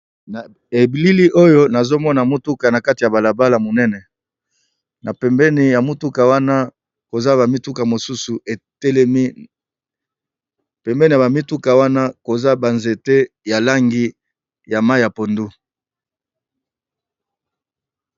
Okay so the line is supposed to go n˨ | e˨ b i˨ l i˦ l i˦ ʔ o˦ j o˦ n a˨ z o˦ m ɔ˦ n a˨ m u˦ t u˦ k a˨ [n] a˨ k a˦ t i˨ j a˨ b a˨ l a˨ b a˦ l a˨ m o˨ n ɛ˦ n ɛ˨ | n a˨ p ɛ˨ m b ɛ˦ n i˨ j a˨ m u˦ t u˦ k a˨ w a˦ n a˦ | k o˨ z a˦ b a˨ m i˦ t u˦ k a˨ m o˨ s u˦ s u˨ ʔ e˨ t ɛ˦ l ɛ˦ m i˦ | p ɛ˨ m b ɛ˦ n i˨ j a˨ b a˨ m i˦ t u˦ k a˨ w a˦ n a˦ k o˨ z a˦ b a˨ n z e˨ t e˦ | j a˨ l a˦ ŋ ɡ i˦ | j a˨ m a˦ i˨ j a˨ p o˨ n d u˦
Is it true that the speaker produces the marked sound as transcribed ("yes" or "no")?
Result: yes